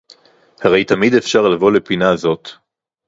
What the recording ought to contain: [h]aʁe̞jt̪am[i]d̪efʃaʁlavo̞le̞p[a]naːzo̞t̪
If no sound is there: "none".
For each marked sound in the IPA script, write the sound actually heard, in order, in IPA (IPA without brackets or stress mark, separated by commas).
h, i, i